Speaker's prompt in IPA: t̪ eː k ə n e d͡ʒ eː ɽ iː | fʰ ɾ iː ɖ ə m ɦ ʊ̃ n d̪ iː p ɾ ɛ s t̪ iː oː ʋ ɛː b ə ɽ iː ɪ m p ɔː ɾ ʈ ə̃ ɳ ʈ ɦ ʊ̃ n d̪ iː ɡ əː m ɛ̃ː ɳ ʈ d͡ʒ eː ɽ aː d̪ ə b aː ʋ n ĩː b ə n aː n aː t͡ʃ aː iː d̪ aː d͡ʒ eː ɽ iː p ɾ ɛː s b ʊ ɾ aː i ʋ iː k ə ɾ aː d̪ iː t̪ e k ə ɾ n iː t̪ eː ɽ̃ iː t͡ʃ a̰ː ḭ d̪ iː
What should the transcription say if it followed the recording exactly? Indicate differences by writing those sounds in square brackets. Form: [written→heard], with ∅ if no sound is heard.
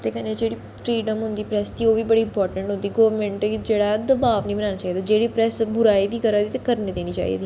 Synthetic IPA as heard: t̪ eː k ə n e d͡ʒ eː ɽ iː | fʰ ɾ iː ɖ ə m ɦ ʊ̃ n d̪ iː p ɾ ɛ s t̪ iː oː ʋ [ɛː→iː] b ə ɽ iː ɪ m p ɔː ɾ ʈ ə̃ ɳ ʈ ɦ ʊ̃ n d̪ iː ɡ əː m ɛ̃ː ɳ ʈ d͡ʒ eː ɽ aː d̪ ə b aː ʋ n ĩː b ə n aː n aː t͡ʃ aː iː d̪ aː d͡ʒ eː ɽ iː p ɾ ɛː s b ʊ ɾ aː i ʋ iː k ə ɾ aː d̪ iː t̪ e k ə ɾ n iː [t̪→d̪] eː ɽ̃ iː t͡ʃ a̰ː ḭ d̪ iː